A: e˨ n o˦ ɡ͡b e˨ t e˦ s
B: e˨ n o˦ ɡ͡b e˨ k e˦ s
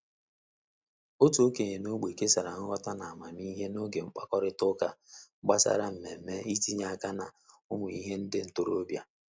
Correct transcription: B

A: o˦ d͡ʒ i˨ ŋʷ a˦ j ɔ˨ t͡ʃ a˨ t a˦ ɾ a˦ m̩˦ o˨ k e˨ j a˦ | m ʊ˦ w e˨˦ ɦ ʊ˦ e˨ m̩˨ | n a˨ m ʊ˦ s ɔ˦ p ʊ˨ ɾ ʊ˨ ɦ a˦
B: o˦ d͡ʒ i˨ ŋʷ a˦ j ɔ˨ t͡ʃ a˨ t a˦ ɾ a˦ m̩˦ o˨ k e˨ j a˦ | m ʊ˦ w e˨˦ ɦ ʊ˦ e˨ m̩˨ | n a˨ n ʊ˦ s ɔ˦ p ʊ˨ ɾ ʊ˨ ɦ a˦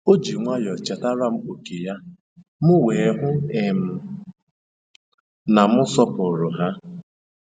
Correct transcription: A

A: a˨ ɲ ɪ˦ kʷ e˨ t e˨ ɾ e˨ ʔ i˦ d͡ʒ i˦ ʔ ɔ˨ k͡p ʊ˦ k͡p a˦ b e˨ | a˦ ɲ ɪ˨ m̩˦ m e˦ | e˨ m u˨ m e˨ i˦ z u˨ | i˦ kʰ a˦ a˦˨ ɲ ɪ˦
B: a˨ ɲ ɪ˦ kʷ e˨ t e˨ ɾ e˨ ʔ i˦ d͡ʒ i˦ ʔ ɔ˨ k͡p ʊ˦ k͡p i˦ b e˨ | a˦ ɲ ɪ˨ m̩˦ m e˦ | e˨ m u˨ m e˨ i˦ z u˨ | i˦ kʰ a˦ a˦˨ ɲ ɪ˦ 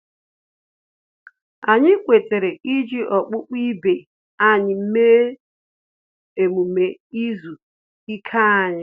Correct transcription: B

